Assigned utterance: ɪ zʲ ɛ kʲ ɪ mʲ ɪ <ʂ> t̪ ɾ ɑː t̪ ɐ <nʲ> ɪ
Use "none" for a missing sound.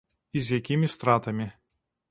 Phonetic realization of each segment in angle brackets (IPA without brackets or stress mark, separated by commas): s, mʲ